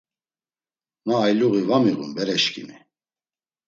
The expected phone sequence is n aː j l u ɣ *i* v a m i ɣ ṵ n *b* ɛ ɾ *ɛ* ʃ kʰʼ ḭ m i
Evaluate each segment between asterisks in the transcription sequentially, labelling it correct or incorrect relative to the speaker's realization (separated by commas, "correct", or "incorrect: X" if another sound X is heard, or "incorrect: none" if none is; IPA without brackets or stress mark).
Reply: correct, correct, correct